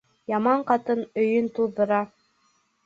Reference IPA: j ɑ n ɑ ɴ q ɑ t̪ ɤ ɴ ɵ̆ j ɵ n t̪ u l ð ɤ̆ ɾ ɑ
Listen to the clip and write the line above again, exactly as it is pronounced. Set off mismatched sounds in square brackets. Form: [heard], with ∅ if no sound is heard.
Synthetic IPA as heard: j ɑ [m] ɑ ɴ q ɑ t̪ ɤ [n] ɵ̆ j ɵ n t̪ u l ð ɤ̆ ɾ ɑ